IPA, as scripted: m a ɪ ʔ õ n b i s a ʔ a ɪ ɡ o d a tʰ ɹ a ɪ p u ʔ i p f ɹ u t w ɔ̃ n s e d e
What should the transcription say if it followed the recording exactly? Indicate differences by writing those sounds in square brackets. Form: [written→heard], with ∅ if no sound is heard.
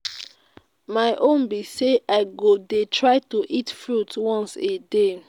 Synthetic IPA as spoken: m a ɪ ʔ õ n b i s [a→e] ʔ a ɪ ɡ o d [a→e] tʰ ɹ a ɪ [p→t] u ʔ i [p→t] f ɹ u t w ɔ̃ n s e d e